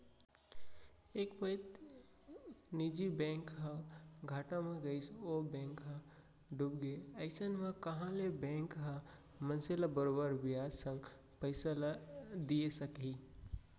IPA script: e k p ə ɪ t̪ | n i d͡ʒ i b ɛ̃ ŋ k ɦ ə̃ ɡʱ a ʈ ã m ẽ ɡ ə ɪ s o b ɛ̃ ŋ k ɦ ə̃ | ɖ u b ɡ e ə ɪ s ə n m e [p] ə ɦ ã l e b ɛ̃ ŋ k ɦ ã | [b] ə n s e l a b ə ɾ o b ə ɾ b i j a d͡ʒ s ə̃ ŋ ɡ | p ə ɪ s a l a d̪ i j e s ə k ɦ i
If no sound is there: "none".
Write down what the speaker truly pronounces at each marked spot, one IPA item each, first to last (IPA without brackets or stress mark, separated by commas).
k, m